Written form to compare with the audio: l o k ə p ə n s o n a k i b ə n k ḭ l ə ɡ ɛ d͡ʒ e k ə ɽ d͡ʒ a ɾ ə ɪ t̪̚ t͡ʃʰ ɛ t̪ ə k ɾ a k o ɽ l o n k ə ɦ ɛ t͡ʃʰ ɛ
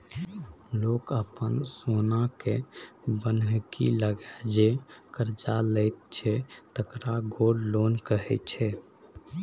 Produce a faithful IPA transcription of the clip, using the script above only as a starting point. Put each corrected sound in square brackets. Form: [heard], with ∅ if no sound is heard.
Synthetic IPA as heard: l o k ə p ə n s o n a k [e] b ə n k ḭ l ə ɡ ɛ d͡ʒ e k ə [ɾ] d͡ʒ a [l] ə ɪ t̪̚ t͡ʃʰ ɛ t̪ ə k ɾ a [ɡ] o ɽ l o n k ə ɦ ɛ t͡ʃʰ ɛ